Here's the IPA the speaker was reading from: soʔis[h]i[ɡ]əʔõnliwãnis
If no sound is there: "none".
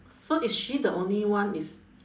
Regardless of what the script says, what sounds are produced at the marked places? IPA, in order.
ʃ, d

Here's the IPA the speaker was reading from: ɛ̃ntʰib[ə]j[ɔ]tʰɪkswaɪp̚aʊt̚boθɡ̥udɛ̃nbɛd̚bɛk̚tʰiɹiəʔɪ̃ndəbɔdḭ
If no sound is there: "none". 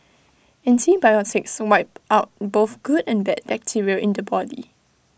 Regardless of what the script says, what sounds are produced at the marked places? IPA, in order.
a, ɔ

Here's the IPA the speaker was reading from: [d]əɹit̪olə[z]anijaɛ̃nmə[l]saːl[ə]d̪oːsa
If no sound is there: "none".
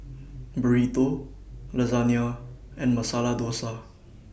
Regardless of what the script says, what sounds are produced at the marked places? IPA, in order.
b, z, none, a

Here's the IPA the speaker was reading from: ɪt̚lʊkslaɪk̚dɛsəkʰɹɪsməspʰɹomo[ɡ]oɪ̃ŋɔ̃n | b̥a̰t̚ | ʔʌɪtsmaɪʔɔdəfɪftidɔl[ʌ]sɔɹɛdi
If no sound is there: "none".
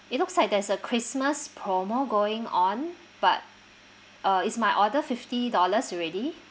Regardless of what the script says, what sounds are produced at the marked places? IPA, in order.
ɡ, ə

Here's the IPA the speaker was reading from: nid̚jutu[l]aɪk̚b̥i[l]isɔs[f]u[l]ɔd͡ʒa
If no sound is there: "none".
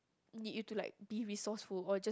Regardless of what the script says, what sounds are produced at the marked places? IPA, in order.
l, ɹ, f, l

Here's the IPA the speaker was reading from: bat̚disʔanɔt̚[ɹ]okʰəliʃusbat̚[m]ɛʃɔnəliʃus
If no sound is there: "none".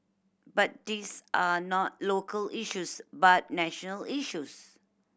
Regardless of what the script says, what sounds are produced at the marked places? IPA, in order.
l, n

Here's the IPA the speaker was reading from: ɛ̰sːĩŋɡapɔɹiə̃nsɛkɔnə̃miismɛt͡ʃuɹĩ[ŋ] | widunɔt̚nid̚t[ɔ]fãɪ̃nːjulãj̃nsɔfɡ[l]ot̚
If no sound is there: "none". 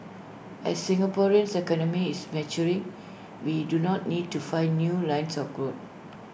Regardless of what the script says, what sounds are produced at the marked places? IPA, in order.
ŋ, u, ɹ

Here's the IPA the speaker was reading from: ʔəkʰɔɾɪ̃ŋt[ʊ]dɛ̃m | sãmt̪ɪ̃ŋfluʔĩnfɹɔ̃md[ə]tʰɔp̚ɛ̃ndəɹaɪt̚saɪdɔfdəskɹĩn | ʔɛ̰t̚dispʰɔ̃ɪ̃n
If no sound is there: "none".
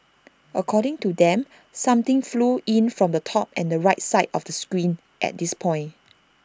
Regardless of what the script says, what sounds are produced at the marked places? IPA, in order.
u, ə

